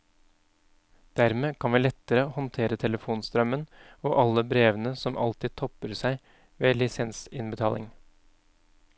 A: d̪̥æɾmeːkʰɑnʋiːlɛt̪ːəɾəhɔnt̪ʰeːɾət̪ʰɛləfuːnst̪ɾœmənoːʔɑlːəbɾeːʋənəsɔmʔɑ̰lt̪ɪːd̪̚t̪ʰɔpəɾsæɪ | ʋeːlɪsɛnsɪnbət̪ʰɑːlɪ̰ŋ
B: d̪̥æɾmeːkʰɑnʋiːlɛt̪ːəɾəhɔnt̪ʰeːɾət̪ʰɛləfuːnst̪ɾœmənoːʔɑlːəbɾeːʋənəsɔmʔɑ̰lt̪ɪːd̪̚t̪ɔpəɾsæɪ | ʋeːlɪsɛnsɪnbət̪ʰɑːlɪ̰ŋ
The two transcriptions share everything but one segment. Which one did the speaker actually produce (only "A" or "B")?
A